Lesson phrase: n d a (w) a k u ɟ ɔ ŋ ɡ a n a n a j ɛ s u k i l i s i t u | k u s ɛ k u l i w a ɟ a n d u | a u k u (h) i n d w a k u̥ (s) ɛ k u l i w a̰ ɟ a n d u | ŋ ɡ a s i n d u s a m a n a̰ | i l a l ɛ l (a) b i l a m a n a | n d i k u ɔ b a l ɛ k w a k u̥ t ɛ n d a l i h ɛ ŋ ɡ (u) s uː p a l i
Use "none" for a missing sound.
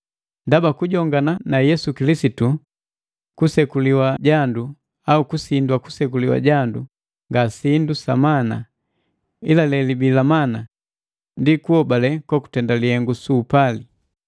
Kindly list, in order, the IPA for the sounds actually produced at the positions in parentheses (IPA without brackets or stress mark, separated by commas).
b, s, s, i, u